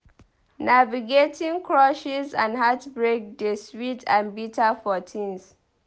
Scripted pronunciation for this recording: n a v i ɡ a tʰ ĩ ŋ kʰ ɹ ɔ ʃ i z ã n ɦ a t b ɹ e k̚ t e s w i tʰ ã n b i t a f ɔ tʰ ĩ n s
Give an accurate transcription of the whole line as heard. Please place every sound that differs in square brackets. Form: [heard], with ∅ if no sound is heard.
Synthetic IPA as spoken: n a v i ɡ [e] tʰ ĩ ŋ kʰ ɹ ɔ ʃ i z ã n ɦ a t b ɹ e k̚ [d] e s w i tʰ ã n b i t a f ɔ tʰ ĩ n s